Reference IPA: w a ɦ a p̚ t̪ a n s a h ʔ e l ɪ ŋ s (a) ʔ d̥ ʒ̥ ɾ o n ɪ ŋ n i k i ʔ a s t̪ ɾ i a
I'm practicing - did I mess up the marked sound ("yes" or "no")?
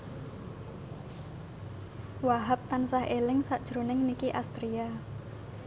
no